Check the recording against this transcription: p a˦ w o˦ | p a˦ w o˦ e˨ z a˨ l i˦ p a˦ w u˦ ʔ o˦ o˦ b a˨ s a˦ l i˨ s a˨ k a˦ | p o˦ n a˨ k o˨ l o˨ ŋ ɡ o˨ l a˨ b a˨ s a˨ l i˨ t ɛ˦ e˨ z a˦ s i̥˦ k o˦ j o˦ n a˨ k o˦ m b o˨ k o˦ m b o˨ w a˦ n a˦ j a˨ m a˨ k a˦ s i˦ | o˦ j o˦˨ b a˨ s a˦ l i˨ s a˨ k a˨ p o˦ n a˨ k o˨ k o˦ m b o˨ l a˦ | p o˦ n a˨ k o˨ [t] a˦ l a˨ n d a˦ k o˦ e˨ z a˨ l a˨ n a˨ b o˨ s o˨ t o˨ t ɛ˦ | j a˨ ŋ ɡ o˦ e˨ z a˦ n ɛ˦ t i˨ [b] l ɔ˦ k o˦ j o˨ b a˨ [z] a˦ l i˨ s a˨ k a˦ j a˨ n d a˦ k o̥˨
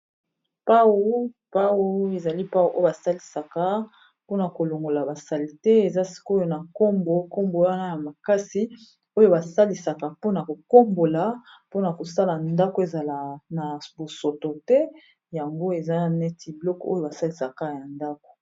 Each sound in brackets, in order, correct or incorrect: incorrect, correct, incorrect

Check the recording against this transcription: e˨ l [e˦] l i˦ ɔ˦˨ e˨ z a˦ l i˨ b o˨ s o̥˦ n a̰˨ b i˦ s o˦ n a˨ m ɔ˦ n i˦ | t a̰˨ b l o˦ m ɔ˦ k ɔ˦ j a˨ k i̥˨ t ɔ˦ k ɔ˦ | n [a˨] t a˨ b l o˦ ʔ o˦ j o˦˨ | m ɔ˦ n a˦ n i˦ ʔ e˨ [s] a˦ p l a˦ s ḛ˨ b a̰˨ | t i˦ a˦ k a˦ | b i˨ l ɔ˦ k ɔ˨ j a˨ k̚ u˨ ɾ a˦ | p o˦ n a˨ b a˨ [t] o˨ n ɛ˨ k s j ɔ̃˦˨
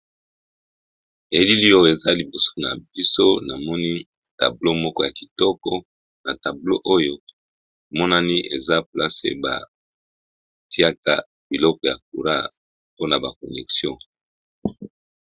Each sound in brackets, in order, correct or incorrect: incorrect, correct, incorrect, incorrect

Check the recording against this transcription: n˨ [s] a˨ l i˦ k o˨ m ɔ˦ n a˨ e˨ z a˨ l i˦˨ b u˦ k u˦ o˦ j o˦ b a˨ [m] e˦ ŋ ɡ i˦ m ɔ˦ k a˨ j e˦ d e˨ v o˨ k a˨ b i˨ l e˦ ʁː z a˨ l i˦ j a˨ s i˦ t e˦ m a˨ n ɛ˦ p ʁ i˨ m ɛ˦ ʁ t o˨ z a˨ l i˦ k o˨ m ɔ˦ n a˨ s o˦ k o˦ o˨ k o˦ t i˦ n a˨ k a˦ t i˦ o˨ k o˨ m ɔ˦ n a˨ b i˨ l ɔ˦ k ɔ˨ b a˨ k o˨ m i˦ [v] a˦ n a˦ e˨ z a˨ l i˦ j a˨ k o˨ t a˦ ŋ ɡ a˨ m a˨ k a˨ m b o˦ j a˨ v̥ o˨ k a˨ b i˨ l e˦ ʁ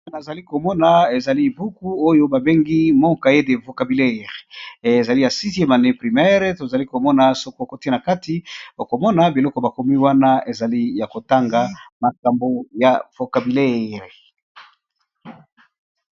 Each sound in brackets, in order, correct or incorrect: incorrect, incorrect, incorrect

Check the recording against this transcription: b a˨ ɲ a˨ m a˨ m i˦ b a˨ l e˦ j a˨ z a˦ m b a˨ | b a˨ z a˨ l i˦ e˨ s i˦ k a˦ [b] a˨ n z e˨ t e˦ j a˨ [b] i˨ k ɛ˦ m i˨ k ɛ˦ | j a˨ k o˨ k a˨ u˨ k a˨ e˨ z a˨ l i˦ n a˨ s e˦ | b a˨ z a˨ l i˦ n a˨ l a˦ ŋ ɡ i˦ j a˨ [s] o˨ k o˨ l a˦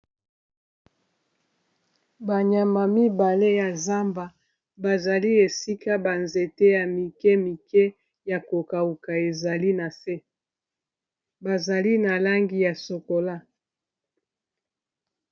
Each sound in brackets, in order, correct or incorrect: correct, incorrect, correct

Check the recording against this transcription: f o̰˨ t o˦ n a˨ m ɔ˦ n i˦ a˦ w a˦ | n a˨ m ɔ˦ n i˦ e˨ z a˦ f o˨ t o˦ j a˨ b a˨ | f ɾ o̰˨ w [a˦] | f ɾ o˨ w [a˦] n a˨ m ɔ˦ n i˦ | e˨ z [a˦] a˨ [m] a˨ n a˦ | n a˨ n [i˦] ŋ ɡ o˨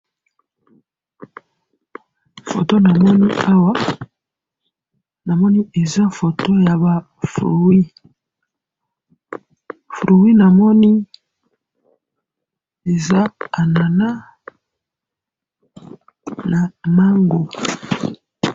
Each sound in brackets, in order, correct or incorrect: incorrect, incorrect, correct, incorrect, incorrect

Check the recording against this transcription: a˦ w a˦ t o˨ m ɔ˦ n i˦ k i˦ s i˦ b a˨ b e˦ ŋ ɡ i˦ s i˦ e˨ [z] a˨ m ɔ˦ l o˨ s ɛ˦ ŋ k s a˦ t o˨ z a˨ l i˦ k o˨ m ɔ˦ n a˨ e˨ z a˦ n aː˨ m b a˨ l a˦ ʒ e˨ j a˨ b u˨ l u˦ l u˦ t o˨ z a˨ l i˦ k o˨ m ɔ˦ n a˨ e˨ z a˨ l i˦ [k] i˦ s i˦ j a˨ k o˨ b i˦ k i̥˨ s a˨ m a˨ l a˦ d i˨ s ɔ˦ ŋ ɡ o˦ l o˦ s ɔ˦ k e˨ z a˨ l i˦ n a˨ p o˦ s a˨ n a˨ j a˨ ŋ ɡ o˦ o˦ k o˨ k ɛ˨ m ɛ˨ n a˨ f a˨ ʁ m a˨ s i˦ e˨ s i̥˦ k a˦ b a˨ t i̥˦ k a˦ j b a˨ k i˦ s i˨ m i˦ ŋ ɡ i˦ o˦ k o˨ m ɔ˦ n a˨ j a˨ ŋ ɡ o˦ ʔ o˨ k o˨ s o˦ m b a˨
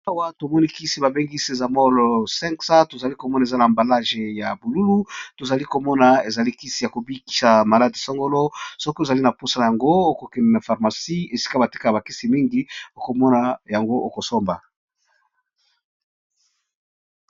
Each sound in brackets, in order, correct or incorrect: correct, correct

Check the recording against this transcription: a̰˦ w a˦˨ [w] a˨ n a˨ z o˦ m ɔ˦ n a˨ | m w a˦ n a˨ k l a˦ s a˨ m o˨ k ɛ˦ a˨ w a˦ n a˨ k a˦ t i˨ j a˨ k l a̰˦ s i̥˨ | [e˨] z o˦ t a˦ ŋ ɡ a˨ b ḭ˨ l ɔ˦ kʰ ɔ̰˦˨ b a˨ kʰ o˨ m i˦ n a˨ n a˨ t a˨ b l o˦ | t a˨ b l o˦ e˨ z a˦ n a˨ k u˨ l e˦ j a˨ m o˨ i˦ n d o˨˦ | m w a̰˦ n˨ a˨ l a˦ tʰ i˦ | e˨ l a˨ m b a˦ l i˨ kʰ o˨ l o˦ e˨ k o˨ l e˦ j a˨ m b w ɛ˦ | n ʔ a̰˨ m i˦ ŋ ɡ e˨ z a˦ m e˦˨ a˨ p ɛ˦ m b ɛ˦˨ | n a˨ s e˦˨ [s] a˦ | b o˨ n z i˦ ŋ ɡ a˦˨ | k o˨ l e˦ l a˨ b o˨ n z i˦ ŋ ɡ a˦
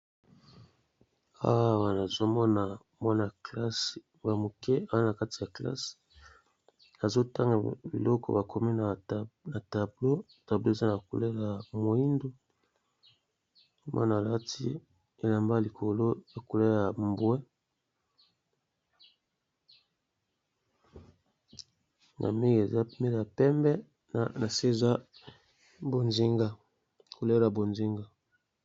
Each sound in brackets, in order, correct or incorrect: correct, incorrect, incorrect

